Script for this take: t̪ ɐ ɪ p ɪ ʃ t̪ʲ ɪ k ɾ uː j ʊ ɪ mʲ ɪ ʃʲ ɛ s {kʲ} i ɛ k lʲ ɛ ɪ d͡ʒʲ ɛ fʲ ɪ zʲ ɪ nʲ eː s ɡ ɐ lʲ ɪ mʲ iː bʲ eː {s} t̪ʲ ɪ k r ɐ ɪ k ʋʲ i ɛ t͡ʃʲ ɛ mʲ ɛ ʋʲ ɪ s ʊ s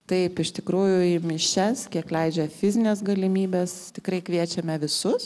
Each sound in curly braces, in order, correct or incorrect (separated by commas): correct, correct